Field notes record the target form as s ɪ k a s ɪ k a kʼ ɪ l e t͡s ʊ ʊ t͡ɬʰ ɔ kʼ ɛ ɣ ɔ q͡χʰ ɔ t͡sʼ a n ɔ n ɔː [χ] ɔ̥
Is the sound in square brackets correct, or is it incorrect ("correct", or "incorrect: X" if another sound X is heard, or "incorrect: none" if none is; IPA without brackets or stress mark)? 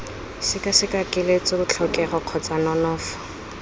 incorrect: f